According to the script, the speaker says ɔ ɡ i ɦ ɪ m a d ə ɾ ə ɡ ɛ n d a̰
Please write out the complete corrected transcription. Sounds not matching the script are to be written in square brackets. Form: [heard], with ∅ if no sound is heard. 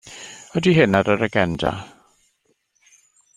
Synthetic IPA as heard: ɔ [d] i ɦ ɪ [n] a d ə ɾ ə ɡ ɛ n d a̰

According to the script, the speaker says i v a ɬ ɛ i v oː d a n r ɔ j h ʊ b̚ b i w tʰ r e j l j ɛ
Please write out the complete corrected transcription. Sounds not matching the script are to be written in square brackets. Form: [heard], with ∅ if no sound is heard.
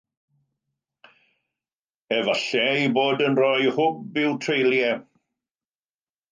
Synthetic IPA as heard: [ɛ] v a ɬ ɛ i [b] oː d [ə] n r ɔ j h ʊ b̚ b [ɪ] w tʰ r e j l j ɛ

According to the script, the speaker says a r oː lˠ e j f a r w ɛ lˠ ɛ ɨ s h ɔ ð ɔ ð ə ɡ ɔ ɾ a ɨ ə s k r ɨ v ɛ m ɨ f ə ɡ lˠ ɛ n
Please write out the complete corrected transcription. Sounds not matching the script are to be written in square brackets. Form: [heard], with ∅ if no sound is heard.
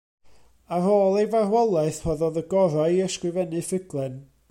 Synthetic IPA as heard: a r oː lˠ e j [v] a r w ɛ lˠ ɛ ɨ [θ] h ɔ ð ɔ ð ə ɡ ɔ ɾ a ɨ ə s k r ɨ v ɛ [n] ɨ f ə ɡ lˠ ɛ n

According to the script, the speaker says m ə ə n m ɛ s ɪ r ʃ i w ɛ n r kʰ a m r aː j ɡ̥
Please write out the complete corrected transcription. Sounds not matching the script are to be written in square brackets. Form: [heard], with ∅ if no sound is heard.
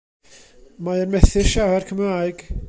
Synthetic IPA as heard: m [a] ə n m ɛ [θ] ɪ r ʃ [a] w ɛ [∅] r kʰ [ə] m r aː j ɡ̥

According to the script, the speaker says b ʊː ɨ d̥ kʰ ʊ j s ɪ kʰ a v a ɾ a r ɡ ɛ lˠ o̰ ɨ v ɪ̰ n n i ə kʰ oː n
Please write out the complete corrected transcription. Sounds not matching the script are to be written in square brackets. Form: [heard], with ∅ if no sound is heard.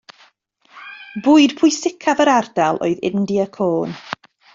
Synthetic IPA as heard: b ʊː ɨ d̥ [pʰ] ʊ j s ɪ kʰ a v [ə] ɾ a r [d] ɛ lˠ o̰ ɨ [ð] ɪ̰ n [d] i ə kʰ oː n

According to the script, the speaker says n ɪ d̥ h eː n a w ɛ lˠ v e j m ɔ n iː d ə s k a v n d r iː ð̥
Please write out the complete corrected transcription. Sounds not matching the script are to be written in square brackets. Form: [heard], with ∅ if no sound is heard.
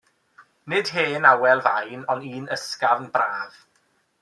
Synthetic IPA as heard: n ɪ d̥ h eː n a w ɛ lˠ v [a] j [n] ɔ n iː [n] ə s k a v n [b] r [aː] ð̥

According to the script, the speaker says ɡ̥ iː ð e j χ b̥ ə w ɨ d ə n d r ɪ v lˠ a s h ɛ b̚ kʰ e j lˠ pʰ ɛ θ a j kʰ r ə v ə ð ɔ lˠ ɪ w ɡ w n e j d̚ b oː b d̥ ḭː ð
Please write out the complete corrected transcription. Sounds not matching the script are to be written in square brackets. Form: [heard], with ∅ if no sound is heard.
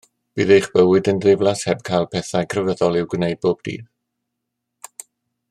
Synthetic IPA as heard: [b̥] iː ð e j χ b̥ ə w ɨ d ə n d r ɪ v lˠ a s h ɛ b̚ kʰ [a] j lˠ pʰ ɛ θ a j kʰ r ə v ə ð ɔ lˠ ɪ w ɡ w n e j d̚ b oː b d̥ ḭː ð

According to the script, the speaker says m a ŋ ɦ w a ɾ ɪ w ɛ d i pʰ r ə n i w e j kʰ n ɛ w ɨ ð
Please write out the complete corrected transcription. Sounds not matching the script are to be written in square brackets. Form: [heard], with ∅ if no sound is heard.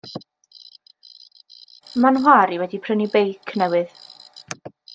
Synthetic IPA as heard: m a [n] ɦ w a ɾ [i] w ɛ d i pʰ r ə n i [b] e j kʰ n ɛ w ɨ ð

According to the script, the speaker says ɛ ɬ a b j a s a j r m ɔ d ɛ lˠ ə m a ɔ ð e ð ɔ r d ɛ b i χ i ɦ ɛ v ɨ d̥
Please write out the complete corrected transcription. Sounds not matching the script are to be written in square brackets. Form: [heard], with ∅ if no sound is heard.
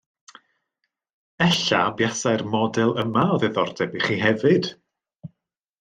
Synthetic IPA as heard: ɛ ɬ a b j a s a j r m ɔ d ɛ lˠ ə m a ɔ ð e ð ɔ r d ɛ b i χ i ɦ ɛ v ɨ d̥

